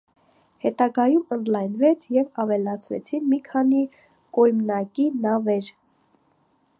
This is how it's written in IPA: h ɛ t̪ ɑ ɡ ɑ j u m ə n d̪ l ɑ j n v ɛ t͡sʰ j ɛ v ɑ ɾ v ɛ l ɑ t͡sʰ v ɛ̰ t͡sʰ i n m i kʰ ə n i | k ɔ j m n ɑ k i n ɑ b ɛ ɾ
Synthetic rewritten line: h ɛ t̪ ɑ ɡ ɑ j u m ə n d̪ l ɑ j n v ɛ t͡sʰ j ɛ v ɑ v ɛ l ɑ t͡sʰ v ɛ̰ t͡sʰ i n m i kʰ ɑ n i | k ɔ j m n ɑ k i n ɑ v ɛ ɾ